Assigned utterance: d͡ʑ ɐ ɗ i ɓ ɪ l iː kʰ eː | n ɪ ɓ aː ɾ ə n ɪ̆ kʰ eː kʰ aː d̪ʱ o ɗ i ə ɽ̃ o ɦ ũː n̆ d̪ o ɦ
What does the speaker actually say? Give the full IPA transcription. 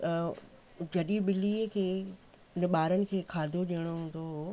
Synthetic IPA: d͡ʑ ɐ ɗ i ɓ ɪ l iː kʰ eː | n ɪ ɓ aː ɾ ə n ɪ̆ kʰ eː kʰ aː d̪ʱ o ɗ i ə ɽ̃ o ɦ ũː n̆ d̪ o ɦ